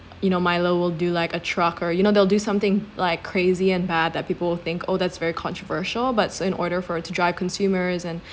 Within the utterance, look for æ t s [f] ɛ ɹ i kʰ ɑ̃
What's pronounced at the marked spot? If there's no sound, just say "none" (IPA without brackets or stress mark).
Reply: v